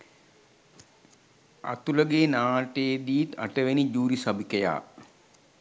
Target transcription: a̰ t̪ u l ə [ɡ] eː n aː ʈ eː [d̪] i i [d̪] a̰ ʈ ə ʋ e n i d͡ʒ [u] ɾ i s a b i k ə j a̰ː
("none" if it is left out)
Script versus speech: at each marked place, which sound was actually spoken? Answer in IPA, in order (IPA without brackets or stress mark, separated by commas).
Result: ɡ, d̪, t̪, uː